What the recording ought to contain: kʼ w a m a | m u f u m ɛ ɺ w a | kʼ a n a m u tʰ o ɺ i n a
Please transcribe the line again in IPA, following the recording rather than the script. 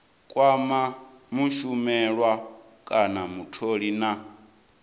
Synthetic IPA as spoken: kʼ w a m a | m u ʃ u m ɛ ɺ w a | kʼ a n a m u tʰ o ɺ i n a